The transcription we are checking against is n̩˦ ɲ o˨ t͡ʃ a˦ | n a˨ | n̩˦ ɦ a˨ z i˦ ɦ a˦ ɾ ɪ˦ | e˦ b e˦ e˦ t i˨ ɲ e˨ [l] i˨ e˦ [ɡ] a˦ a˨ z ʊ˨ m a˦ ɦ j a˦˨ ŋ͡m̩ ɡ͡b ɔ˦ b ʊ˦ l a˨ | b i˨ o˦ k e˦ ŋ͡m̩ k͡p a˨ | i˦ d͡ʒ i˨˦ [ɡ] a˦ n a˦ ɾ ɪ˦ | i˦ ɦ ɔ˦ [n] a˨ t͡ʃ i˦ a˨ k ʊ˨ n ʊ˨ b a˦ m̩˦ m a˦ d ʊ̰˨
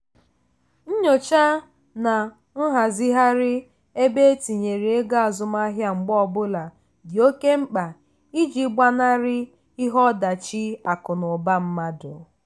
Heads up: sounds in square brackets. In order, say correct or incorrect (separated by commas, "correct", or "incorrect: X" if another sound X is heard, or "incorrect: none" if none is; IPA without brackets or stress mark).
incorrect: ɾ, correct, incorrect: ɡ͡b, incorrect: d